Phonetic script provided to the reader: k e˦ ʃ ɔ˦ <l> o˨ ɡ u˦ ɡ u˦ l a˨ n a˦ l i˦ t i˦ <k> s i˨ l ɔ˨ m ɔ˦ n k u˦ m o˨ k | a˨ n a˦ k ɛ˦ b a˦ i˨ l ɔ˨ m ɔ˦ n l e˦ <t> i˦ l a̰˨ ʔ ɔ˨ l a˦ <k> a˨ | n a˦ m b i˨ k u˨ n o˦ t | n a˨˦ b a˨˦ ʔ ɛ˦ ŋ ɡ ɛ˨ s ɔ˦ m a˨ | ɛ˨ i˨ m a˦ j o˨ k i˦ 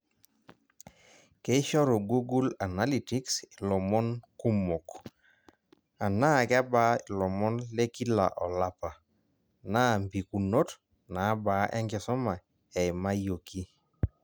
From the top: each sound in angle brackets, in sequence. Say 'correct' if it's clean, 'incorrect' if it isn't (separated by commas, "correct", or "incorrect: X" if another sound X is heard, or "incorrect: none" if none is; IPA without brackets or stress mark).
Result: incorrect: ɾ, correct, incorrect: k, incorrect: p